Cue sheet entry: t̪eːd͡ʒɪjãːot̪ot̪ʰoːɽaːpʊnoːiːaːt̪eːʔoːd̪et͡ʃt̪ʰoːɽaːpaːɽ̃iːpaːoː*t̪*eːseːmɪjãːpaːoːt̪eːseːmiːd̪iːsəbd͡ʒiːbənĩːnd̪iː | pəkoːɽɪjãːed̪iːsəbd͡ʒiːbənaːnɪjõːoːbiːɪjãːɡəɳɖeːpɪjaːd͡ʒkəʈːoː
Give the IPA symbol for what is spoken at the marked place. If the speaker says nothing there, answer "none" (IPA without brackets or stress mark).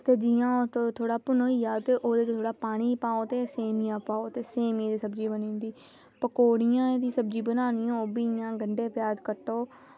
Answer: t̪